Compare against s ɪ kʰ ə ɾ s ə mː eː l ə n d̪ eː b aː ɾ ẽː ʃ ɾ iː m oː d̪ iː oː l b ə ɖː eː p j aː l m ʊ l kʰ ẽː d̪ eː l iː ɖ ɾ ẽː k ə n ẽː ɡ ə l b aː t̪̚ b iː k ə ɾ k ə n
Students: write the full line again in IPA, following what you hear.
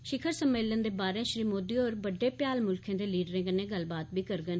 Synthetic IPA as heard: ʃ ɪ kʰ ə ɾ s ə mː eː l ə n d̪ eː b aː ɾ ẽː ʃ ɾ iː m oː d̪ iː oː ɾ b ə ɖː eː p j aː l m ʊ l kʰ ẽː d̪ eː l iː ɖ ɾ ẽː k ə n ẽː ɡ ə l b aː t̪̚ b iː k ə ɾ ɡ ə n